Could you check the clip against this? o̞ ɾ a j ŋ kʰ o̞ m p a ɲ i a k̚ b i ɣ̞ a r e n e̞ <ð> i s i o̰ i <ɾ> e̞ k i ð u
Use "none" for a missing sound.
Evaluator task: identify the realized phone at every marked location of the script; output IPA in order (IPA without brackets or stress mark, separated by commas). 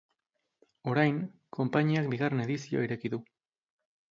ð, ɾ